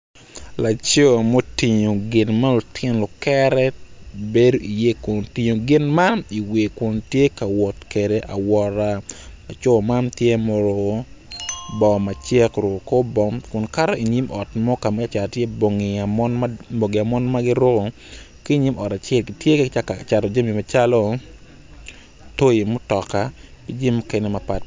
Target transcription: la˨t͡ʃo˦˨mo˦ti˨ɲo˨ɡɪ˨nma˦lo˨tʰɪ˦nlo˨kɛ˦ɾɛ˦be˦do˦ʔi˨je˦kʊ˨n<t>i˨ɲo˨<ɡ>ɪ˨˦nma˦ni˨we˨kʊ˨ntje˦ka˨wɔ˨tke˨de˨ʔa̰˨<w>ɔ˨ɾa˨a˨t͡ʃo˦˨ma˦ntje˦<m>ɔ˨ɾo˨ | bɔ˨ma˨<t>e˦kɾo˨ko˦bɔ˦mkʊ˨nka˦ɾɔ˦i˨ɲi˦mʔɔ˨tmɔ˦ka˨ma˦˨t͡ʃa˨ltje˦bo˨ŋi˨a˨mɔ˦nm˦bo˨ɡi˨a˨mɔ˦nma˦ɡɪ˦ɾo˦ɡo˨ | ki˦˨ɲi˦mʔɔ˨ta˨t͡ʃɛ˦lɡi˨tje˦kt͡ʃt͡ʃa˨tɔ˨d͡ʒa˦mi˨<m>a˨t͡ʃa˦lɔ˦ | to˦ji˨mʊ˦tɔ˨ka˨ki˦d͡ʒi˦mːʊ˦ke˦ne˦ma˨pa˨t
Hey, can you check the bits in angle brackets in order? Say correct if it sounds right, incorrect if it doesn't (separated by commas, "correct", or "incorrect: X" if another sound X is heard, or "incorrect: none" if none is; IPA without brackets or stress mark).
correct, correct, correct, correct, incorrect: t͡ʃ, correct